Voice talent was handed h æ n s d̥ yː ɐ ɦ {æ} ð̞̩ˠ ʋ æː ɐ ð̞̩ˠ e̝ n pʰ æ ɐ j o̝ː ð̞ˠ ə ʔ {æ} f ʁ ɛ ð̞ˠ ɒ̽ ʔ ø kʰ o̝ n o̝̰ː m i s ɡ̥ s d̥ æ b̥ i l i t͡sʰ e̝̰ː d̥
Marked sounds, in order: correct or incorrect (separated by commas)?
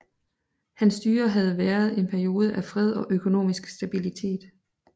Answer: correct, correct